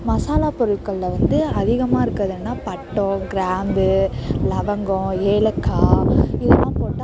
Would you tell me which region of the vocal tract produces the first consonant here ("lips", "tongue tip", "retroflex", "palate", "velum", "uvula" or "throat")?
lips